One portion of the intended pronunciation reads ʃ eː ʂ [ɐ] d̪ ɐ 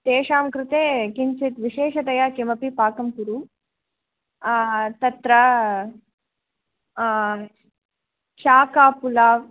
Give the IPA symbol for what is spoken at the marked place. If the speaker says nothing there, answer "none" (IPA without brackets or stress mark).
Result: ɐ